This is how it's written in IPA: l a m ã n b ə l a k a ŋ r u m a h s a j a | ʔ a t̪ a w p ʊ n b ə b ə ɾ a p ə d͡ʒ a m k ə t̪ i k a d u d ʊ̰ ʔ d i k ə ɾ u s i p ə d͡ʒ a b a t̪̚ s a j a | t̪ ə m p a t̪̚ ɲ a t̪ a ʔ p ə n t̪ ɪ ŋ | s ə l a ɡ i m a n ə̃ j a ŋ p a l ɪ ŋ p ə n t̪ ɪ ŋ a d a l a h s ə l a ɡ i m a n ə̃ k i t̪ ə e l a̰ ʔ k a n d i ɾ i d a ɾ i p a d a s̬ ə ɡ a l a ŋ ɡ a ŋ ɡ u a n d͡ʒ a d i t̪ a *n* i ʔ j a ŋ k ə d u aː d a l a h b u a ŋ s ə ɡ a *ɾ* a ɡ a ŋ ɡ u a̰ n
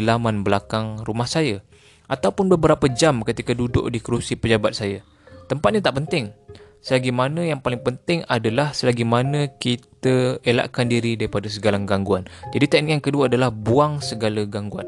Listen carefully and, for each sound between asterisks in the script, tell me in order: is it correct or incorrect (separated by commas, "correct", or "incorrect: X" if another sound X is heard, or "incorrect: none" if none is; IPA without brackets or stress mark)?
correct, incorrect: l